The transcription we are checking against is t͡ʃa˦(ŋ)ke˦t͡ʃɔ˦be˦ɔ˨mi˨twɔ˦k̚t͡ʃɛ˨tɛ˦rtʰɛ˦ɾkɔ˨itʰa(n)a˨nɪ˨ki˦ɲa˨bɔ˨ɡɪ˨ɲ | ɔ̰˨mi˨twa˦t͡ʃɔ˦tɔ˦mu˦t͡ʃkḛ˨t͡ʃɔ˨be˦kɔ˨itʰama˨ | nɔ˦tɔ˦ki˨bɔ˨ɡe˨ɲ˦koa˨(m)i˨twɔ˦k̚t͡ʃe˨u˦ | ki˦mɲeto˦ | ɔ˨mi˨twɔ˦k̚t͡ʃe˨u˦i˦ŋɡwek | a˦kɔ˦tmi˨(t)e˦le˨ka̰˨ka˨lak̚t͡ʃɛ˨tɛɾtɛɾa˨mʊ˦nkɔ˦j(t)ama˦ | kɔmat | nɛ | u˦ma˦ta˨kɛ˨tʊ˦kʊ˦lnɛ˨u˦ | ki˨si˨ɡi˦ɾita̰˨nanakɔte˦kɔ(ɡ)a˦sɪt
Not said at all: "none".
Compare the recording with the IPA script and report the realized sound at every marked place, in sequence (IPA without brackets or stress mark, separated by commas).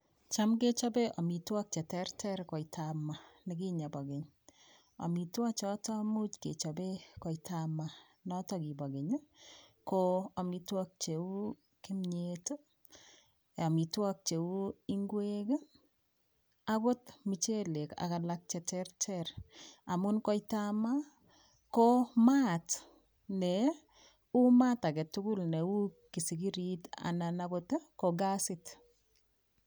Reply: m, m, m, t͡ʃ, t, ɡ